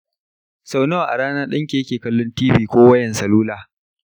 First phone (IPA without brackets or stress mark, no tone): s